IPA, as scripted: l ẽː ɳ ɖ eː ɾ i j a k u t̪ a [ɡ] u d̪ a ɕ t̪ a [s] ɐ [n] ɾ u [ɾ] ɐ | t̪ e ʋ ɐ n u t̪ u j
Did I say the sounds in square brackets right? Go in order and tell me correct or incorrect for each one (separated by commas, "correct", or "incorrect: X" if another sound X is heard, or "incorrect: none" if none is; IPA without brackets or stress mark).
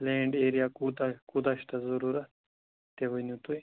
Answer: incorrect: k, incorrect: z, incorrect: none, correct